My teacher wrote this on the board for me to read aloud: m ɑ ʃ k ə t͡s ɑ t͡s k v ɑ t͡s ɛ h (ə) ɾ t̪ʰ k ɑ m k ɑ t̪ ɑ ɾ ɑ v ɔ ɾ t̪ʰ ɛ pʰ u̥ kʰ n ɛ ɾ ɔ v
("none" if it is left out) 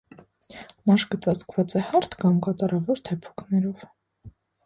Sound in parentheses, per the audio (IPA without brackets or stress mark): ɑ